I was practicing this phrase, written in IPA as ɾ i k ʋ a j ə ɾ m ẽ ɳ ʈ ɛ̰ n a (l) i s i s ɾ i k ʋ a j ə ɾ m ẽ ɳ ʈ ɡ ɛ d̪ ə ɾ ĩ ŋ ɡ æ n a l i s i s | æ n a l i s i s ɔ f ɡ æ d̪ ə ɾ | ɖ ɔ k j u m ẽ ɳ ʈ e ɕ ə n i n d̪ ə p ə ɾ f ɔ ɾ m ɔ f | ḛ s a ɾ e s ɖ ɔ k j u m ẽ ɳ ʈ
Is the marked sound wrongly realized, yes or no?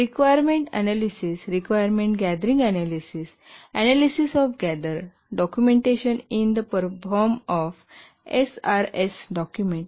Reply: no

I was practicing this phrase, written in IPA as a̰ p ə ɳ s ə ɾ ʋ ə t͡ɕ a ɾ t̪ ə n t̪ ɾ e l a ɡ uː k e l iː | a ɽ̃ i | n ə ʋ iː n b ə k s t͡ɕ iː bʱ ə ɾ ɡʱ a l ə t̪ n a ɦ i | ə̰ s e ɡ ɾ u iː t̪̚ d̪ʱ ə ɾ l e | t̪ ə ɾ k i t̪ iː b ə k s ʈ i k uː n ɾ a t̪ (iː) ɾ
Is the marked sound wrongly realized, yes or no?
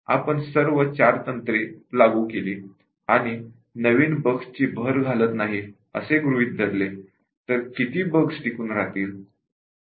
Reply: no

